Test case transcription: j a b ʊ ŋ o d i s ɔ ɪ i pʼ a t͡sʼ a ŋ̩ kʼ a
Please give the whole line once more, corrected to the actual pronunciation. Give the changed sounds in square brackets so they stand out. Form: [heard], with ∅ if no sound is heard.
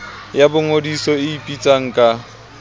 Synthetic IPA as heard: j a b ʊ ŋ o d i s ɔ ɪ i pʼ [i] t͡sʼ a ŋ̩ kʼ a

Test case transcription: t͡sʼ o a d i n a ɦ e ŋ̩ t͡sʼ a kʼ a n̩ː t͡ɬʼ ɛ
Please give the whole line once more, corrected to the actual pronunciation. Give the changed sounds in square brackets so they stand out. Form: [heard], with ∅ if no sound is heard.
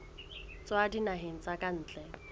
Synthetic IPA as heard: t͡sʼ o a d i n a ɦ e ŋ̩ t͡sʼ a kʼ a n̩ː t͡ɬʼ ɛ

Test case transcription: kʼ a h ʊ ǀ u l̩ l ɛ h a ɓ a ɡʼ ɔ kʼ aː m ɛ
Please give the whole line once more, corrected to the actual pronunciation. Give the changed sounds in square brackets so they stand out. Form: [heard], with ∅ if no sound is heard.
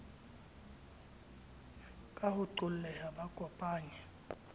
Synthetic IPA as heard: kʼ a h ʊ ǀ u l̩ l ɛ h a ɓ a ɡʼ ɔ [pʼ] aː [ɲ] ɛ

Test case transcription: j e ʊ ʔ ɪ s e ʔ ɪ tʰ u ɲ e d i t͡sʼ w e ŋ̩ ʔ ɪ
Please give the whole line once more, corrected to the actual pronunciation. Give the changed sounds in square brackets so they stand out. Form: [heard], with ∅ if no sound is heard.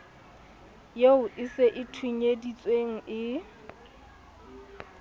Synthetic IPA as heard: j e ʊ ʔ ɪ s e ʔ ɪ tʰ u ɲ e d i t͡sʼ w e ŋ̩ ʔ ɪ

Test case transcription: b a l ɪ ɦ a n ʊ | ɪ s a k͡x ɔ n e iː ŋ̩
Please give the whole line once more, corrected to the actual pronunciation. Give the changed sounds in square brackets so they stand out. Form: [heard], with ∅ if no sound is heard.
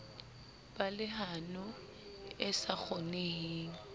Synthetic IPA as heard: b a l ɪ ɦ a n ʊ | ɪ s a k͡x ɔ n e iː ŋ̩

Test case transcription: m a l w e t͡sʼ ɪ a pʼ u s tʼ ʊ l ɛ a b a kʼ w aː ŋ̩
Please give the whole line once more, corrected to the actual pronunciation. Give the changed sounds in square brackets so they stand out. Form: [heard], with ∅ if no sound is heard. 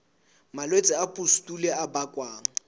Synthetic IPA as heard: m a l w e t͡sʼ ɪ a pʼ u s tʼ [u] l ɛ a b a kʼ w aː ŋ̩

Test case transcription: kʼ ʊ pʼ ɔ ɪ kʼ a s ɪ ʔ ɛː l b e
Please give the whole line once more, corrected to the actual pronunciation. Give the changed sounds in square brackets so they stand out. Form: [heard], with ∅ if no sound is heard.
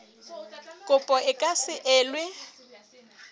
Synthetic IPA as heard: kʼ ʊ pʼ ɔ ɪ kʼ a s ɪ ʔ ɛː l [w] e

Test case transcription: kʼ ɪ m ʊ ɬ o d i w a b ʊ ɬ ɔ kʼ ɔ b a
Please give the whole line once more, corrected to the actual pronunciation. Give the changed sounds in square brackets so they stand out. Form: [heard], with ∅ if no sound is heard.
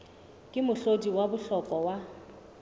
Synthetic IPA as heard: kʼ ɪ m ʊ ɬ o d i w a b ʊ ɬ ɔ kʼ ɔ [w] a

